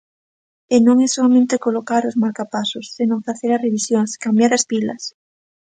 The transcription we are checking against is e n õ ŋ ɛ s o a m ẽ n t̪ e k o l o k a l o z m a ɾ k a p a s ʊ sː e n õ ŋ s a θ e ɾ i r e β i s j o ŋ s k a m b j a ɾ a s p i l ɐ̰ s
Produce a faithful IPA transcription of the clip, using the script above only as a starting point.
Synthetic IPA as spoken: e n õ ŋ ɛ s o a m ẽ n t̪ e k o l o k a ɾ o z m a ɾ k a p a s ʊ sː e n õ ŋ f a θ e ɾ a r e β i s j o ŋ s k a m b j a ɾ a s p i l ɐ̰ s

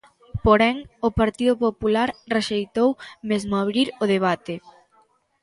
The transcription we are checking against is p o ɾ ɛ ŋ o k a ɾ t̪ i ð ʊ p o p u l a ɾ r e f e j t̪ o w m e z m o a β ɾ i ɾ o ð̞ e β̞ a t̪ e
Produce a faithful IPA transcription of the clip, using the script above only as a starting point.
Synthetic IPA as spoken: p o ɾ ɛ ŋ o p a ɾ t̪ i ð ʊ p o p u l a ɾ r e ʃ e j t̪ o w m e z m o a β ɾ i ɾ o ð̞ e β̞ a t̪ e

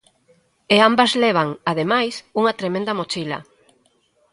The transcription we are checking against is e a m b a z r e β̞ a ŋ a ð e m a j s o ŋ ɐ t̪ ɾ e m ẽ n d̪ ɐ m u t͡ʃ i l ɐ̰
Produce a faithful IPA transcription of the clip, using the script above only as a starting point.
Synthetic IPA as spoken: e a m b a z l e β̞ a ŋ a ð e m a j s u ŋ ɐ t̪ ɾ e m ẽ n d̪ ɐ m o t͡ʃ i l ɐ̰

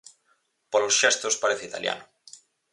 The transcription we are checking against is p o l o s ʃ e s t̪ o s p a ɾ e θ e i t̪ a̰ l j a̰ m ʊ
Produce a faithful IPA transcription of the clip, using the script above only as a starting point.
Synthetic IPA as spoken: p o l o s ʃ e s t̪ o s p a ɾ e θ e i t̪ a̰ l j a̰ n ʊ

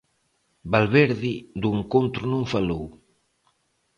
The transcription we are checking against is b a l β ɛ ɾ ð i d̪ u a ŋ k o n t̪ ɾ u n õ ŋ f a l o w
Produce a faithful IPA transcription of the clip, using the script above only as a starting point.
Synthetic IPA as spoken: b a l β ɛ ɾ ð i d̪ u e ŋ k o n t̪ ɾ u n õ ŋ f a l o w

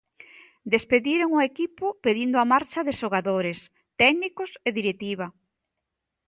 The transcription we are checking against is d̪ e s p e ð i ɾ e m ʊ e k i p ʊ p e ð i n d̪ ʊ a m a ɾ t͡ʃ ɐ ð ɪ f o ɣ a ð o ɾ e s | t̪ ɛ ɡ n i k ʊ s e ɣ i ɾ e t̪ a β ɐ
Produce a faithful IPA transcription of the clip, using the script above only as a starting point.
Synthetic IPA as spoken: d̪ e s p e ð i ɾ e ŋ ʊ e k i p ʊ p e ð i n d̪ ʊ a m a ɾ t͡ʃ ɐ ð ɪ ʃ o ɣ a ð o ɾ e s | t̪ ɛ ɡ n i k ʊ s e ð i ɾ e t̪ i β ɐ

